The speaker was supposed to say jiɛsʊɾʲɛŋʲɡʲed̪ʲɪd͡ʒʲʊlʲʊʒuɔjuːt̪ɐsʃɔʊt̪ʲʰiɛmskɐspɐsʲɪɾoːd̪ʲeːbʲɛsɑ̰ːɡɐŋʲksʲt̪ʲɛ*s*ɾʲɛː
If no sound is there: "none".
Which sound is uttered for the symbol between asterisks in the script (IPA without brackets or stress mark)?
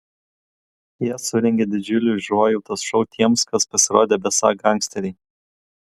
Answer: none